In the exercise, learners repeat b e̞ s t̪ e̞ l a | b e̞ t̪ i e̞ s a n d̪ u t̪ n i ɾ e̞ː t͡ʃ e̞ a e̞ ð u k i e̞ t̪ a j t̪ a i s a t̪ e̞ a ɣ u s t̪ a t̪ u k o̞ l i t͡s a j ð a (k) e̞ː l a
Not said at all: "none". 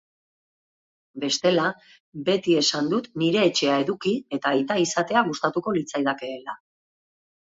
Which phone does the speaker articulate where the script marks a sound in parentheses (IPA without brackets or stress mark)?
k